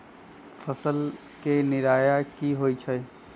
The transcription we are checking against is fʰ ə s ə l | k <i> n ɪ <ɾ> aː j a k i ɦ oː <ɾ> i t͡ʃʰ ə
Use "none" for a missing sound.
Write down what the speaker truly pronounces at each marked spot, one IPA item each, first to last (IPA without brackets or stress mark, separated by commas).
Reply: e, ɾ, none